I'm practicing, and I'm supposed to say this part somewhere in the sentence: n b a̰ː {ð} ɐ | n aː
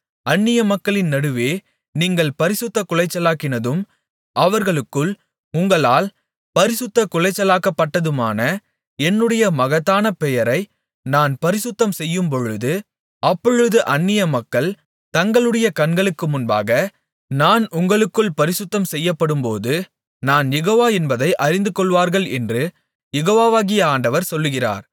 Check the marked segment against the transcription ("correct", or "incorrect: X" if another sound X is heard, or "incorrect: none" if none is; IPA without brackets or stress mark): incorrect: ɣ